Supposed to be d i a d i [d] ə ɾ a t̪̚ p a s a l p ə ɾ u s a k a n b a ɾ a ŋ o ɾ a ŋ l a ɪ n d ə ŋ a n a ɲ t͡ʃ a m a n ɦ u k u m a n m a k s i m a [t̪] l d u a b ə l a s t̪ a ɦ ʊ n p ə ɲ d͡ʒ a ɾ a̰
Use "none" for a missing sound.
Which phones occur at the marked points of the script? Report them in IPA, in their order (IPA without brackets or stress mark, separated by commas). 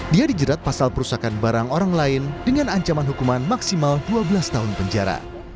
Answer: d͡ʒ, none